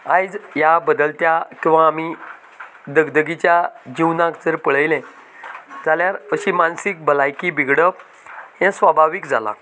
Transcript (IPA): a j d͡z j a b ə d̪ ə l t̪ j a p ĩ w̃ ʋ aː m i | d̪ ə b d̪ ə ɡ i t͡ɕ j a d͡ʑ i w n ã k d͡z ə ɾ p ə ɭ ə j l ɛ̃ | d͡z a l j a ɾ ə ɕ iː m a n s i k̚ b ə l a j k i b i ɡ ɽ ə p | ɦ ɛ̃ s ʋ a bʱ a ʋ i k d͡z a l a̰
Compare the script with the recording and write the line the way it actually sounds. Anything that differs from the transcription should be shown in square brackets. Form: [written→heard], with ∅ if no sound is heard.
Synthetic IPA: a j d͡z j a b ə d̪ ə l t̪ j a [p→k] ĩ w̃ ʋ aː m i | d̪ ə [b→ɡ] d̪ ə ɡ i t͡ɕ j a d͡ʑ i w n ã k d͡z ə ɾ p ə ɭ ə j l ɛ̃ | d͡z a l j a ɾ ə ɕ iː m a n s i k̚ b ə l a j k i b i ɡ ɽ ə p | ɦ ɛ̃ s ʋ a bʱ a ʋ i k d͡z a l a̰